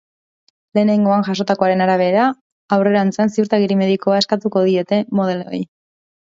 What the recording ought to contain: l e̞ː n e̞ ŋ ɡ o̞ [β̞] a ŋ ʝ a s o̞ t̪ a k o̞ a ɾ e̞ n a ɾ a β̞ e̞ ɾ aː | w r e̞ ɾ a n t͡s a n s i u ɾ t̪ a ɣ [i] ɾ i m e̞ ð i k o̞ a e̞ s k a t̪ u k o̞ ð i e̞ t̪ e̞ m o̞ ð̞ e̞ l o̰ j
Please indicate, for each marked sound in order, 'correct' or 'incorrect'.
incorrect, correct

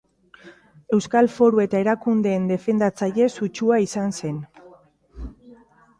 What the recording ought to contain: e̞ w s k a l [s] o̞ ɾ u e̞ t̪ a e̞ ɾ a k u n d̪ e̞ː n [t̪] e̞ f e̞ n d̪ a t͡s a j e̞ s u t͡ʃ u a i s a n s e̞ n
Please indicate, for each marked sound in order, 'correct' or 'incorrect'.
incorrect, incorrect

